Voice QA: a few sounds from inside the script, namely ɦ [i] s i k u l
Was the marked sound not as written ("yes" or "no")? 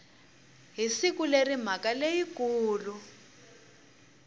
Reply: no